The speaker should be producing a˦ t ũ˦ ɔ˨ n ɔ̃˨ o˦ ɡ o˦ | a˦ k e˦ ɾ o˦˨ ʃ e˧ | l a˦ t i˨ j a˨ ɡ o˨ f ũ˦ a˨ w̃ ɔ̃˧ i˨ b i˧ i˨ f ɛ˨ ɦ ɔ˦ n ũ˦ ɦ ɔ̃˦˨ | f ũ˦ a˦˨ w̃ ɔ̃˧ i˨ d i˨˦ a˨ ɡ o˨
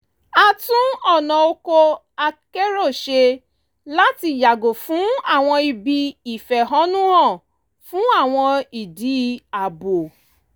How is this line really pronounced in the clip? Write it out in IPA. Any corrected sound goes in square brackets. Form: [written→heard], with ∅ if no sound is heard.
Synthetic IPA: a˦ t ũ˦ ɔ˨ n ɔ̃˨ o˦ [ɡ→k] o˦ | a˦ k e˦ ɾ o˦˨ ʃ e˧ | l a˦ t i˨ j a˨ ɡ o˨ f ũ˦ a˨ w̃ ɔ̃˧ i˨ b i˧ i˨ f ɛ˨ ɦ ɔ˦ n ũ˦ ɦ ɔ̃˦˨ | f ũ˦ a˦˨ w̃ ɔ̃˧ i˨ d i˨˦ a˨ [ɡ→b] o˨